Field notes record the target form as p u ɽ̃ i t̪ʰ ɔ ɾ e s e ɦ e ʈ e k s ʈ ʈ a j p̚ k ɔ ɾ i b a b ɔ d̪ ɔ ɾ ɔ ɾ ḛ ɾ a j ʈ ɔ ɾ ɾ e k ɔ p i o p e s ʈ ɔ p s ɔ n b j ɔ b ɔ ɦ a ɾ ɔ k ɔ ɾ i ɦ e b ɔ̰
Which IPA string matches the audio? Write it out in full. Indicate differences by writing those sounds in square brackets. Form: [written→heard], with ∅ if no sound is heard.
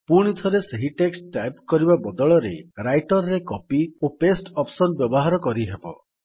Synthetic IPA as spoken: p u ɽ̃ i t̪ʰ ɔ ɾ e s e ɦ [e→i] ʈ e k s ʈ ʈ a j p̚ k ɔ ɾ i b a b ɔ d̪ ɔ [ɾ→ɭ] ɔ ɾ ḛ ɾ a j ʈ ɔ ɾ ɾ e k ɔ p i o p e s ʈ ɔ p s ɔ n b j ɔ b ɔ ɦ a ɾ ɔ k ɔ ɾ i ɦ e b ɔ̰